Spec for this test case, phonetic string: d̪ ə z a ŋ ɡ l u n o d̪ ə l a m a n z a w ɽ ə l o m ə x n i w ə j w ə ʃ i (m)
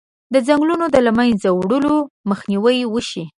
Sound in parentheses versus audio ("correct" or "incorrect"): incorrect